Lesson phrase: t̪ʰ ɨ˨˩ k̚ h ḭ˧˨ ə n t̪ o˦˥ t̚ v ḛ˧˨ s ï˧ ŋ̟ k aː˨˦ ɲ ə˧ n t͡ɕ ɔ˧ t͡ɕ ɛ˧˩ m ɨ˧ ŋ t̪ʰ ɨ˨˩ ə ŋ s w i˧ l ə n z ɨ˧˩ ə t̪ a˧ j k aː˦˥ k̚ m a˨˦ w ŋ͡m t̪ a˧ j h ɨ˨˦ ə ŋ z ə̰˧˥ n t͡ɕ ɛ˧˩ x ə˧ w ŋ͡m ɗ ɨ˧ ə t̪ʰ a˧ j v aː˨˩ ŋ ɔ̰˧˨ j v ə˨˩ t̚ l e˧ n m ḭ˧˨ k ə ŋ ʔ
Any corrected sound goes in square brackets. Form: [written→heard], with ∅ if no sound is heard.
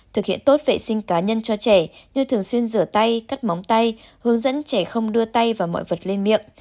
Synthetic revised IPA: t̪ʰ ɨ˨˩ k̚ h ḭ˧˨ ə n t̪ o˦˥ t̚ v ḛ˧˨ s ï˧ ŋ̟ k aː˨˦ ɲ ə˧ n t͡ɕ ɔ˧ t͡ɕ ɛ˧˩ [m→ɲ] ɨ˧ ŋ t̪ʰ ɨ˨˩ ə ŋ s w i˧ [l→∅] ə n z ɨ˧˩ ə t̪ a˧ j k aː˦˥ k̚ m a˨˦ w ŋ͡m t̪ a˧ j h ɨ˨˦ ə ŋ z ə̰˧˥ n t͡ɕ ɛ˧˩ x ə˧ w ŋ͡m ɗ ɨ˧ ə [t̪ʰ→t̪] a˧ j v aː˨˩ [ŋ→m] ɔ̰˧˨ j v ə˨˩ t̚ l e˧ n m ḭ˧˨ [k→∅] ə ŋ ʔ